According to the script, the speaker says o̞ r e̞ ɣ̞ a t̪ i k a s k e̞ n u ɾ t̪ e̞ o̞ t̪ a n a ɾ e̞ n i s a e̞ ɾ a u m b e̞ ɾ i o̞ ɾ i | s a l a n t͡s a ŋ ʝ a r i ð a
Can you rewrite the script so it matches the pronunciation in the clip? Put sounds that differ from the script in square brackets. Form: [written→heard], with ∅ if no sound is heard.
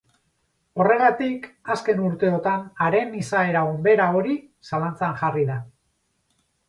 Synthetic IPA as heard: o̞ r e̞ ɣ̞ a t̪ i k a s k e̞ n u ɾ t̪ e̞ o̞ t̪ a n a ɾ e̞ n i s a e̞ ɾ a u m b e̞ ɾ [i→a] o̞ ɾ i | s a l a n t͡s a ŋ ʝ a r i ð a